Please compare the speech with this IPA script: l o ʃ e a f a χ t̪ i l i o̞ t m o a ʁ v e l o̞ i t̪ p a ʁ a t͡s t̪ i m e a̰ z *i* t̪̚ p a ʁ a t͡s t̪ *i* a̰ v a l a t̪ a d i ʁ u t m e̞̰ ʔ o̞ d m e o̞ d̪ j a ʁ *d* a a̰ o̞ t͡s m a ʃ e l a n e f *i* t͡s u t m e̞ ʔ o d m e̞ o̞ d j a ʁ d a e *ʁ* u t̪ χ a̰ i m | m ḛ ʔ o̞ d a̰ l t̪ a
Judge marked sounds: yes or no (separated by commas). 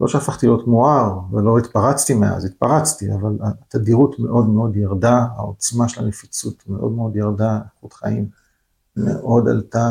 yes, yes, yes, yes, no